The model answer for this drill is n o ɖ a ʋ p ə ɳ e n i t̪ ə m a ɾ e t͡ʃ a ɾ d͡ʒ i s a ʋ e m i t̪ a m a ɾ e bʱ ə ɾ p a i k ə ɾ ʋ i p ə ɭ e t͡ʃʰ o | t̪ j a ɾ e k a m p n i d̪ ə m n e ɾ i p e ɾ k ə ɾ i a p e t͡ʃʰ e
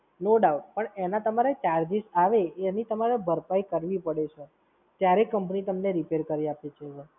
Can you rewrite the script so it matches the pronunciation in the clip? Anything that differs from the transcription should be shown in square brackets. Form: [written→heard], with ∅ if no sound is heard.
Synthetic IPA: n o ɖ a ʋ p ə ɳ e n [i→a] t̪ ə m a ɾ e t͡ʃ a ɾ d͡ʒ i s a ʋ e [m→n] i t̪ [a→ə] m a ɾ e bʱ ə ɾ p a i k ə ɾ ʋ i p ə [ɭ→ɽ] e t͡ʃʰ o | t̪ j a ɾ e k [a→ə] m p n i [d̪→t̪] ə m n e ɾ i p e ɾ k ə ɾ i a p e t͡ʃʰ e

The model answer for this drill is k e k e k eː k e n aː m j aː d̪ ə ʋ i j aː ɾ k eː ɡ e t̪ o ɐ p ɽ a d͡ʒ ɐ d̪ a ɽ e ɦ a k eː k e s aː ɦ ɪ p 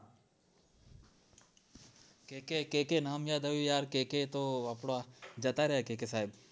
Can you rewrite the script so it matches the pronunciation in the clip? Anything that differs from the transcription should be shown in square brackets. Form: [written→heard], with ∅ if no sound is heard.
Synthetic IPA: k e k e k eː k e n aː m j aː d̪ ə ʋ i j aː ɾ k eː [ɡ→k] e t̪ o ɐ p ɽ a d͡ʒ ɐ [d̪→t̪] a [ɽ→ɾ] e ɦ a k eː k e s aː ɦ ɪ [p→b]

